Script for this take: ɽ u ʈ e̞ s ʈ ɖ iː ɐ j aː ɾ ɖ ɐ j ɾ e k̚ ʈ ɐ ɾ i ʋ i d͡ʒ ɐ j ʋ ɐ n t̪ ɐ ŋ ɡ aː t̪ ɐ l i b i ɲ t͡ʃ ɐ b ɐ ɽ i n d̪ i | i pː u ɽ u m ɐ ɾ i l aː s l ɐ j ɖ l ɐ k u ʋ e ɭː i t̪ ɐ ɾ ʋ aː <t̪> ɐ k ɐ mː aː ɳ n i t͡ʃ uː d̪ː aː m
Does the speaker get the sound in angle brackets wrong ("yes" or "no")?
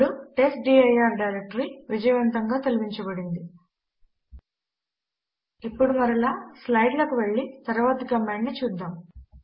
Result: no